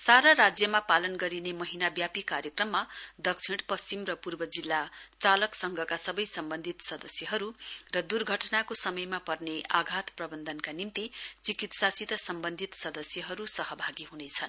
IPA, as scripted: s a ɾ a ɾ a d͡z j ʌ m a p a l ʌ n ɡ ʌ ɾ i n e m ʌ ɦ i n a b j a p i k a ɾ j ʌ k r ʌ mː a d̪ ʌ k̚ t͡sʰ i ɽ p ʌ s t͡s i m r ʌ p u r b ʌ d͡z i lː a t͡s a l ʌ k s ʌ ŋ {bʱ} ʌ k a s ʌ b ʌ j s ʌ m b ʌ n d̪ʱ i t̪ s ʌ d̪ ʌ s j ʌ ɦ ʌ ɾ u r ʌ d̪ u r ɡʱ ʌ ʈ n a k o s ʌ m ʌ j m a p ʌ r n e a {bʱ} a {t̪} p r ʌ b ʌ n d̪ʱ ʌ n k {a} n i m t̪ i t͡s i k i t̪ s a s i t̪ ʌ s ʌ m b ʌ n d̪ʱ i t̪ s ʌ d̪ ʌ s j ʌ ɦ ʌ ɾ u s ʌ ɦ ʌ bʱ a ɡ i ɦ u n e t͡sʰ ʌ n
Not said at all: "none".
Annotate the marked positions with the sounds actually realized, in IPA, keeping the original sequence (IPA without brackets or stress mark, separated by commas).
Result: ɡʱ, ɡʱ, t̪, a